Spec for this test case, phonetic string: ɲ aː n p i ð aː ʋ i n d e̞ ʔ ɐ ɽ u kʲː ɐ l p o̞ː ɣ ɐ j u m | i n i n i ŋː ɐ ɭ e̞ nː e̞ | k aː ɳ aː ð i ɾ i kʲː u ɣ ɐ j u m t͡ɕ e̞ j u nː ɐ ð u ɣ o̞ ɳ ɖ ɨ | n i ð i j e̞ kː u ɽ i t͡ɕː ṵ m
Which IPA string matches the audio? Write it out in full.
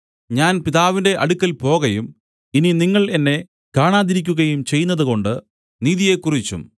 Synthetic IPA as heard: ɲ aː n p i ð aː ʋ i n d e̞ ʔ ɐ ɽ u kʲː ɐ l p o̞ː ɣ ɐ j u m | i n i n i ŋː ɐ ɭ e̞ nː e̞ | k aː ɳ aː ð i ɾ i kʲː u ɣ ɐ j u m t͡ɕ e̞ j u nː ɐ ð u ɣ o̞ ɳ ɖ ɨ | n iː ð i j e̞ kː u r i t͡ɕː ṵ m